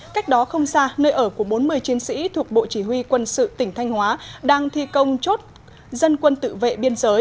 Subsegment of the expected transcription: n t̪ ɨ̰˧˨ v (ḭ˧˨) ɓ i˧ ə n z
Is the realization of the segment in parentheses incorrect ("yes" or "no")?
yes